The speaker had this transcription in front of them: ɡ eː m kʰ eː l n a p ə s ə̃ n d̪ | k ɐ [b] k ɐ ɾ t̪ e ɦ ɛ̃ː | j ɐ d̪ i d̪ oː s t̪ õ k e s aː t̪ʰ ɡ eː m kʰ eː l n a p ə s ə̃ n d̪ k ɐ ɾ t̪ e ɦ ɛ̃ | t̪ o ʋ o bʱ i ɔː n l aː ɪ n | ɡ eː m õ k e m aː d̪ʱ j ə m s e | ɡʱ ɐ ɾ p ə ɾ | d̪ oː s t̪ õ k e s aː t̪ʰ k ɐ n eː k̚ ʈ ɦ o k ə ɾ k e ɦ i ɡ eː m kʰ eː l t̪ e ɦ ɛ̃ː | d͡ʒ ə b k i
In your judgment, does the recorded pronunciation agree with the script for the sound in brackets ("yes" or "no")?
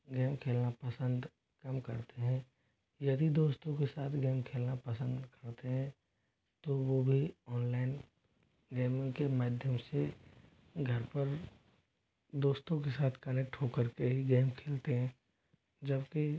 no